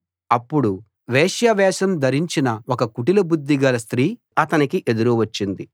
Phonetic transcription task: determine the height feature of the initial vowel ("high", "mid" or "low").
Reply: low